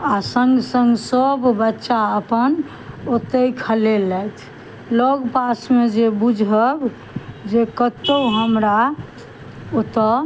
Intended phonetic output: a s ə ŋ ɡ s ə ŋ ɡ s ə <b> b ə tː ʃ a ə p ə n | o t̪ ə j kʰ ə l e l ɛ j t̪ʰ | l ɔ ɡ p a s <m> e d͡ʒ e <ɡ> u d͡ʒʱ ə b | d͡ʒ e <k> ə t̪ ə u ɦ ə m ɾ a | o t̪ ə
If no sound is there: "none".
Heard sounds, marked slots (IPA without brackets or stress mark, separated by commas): b, m, b, k